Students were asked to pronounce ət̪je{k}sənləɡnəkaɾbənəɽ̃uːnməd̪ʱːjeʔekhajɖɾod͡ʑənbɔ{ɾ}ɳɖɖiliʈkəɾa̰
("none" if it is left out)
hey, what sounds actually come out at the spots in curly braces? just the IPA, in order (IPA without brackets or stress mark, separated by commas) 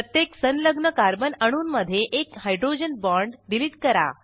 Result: k, ɾ